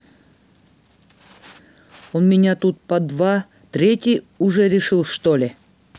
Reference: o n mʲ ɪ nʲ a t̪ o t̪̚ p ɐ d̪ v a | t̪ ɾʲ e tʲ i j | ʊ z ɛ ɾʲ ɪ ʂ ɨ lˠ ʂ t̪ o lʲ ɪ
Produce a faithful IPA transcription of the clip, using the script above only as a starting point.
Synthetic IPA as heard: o n mʲ ɪ nʲ a t̪ u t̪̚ p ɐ d̪ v a | t̪ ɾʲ e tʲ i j | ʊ ʐ ɛ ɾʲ ɪ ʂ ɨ lˠ ʂ t̪ o lʲ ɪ